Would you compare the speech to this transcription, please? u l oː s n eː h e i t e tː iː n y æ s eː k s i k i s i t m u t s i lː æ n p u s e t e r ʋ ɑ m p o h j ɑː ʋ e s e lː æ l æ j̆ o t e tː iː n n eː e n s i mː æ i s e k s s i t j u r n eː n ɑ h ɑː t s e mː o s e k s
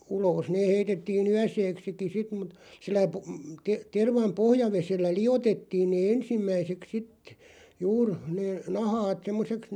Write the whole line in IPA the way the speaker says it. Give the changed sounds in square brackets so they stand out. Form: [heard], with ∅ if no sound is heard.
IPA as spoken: u l oː s n eː h e i t e tː iː n y æ s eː k s i k i s i t m u t s i lː æ [∅] p u [t] e t e r ʋ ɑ m p o h j [ɑ] ʋ e s e lː æ l [i] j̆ o t e tː iː n n eː e n s i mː æ i s e k s s i t j [uː] r n eː n ɑ h ɑː t s e mː o s e k s